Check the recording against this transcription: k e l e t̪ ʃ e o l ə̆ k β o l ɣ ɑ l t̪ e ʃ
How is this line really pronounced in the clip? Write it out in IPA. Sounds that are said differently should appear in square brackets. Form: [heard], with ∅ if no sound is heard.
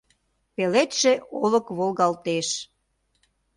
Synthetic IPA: [p] e l e t̪ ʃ e o l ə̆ k β o l ɣ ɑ l t̪ e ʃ

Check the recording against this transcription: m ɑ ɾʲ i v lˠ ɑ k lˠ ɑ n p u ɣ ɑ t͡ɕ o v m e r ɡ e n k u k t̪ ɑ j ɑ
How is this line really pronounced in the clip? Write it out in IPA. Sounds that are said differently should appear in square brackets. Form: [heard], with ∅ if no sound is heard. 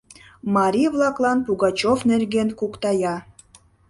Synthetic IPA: m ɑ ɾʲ i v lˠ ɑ k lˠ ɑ n p u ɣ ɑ t͡ɕ o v [n] e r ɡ e n k u k t̪ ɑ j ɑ

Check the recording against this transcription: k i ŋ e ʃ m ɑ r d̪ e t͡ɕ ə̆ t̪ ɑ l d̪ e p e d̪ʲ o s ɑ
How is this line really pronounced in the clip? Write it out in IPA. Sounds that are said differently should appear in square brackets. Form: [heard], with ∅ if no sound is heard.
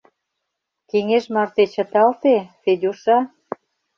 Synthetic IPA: k [e] ŋ e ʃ m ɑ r [t̪] e t͡ɕ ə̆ t̪ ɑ l [t̪] e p e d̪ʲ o [ʃ] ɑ

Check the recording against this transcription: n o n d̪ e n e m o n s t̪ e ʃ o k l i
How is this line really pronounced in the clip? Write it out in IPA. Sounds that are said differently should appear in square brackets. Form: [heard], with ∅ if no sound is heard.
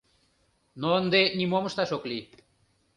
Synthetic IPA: n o n d̪ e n [i] m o [m] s t̪ [a] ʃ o k l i

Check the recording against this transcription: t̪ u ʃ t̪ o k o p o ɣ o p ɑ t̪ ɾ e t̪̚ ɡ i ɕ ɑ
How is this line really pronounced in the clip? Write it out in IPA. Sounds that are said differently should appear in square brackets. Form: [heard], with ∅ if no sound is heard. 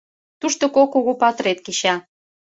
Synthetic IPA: t̪ u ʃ t̪ o k o [k] o ɣ o p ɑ t̪ ɾ e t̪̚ [k] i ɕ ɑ

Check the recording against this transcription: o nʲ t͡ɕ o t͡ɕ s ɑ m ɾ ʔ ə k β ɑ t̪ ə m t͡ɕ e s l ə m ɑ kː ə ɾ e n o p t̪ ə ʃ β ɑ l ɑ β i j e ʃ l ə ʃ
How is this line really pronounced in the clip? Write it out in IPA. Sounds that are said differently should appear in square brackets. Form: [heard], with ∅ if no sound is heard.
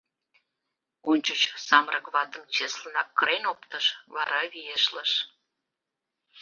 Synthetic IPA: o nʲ t͡ɕ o t͡ɕ s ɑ m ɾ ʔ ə k β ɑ t̪ ə m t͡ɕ e s l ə [n] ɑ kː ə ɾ e n o p t̪ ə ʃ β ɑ [ɾ] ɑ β i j e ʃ l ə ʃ

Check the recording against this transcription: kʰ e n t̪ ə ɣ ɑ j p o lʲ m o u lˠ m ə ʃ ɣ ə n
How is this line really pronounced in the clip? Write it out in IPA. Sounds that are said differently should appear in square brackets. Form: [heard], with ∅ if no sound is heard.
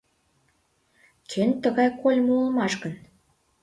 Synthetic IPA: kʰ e n t̪ ə ɣ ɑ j [k] o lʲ m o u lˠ m [ɑ] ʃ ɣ ə n

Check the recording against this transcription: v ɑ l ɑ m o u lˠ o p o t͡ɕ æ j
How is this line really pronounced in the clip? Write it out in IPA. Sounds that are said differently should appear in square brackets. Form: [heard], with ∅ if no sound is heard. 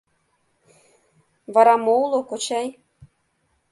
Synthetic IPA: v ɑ [ɾ] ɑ m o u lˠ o [k] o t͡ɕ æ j

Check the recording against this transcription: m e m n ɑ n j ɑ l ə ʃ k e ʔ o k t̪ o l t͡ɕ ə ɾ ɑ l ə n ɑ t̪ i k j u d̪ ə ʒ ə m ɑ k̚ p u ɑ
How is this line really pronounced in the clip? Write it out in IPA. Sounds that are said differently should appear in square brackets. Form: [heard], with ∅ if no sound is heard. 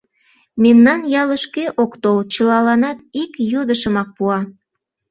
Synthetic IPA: m e m n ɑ n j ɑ l ə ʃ k e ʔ o k t̪ o l t͡ɕ ə [l] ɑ l [ɑ] n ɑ t̪ i k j [o] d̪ ə [ʃ] ə m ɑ k̚ p u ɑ

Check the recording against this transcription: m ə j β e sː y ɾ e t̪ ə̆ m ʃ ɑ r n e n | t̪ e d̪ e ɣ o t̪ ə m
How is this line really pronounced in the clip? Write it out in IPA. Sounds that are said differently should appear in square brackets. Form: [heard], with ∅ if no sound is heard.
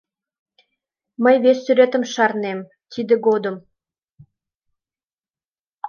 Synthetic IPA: m ə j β e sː y ɾ e t̪ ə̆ m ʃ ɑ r n e [m] | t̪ [i] d̪ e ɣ o [d̪] ə m

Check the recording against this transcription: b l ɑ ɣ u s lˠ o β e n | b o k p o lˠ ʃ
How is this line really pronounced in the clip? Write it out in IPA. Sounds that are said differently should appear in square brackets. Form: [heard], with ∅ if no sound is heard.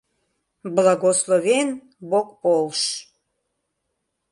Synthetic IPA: b l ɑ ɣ [o] s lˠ o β e n | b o k p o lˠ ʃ

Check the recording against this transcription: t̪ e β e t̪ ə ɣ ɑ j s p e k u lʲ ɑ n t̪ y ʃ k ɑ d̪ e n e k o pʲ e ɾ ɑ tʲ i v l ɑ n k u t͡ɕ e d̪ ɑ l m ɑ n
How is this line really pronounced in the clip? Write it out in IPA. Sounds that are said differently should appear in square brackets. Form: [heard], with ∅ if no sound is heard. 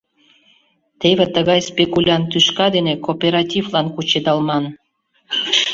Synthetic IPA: t̪ e β e t̪ ə ɣ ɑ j s p e k u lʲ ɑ n t̪ y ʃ k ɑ d̪ e n e k o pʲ e ɾ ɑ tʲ i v l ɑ n k u t͡ɕ e d̪ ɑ l m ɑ n

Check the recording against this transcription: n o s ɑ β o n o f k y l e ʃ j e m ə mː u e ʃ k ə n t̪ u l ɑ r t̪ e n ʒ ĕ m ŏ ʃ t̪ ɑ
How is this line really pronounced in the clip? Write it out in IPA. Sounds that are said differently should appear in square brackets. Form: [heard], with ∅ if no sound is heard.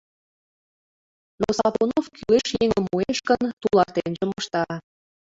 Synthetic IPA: n o s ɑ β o n o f k y l e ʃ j e [ŋ] ə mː u e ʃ k ə n t̪ u l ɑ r t̪ e n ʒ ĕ m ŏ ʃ t̪ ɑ

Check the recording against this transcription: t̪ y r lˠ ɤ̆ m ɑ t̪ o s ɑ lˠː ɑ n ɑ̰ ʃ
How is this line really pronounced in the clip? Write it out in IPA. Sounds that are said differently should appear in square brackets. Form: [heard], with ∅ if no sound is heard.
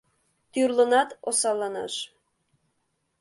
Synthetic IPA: t̪ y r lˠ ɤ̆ [n] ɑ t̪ o s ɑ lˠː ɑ n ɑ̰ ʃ

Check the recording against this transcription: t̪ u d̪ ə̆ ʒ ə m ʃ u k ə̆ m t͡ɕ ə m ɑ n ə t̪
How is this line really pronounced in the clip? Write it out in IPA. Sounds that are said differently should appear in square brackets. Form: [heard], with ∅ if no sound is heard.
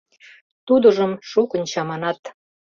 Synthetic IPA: t̪ u d̪ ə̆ ʒ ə m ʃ u k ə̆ [n] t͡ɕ [ɑ] m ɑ n [ɑ] t̪

